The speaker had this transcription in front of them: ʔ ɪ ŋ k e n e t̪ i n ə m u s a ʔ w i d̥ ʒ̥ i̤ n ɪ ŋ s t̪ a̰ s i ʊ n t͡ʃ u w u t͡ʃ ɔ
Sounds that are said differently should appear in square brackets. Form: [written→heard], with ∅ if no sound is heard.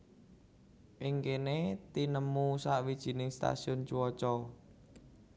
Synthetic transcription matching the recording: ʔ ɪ ŋ k e n e t̪ i n ə m u s a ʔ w i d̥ ʒ̥ i̤ n ɪ ŋ s t̪ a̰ s i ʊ n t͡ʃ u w [u→ɔ] t͡ʃ ɔ